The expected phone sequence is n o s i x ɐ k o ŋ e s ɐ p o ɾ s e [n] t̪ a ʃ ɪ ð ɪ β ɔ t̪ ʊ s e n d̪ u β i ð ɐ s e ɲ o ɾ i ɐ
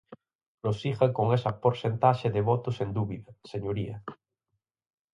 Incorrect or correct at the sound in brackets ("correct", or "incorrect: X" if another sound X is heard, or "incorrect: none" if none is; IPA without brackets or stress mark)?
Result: correct